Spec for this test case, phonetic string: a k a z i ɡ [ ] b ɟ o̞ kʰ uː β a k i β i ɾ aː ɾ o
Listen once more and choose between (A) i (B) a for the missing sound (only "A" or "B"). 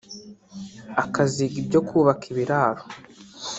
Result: A